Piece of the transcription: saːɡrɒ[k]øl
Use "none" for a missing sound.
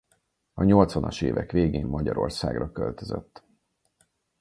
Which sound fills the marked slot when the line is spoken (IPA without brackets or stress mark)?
k